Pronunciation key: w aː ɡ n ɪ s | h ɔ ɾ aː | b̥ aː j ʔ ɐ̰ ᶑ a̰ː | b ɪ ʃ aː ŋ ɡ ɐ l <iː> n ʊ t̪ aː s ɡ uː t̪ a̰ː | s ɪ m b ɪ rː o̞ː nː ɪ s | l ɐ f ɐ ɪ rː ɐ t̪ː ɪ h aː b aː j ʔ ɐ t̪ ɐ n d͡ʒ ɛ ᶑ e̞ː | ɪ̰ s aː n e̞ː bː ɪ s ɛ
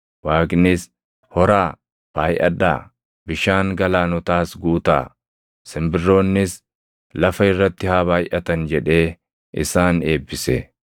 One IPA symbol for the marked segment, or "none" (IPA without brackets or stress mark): aː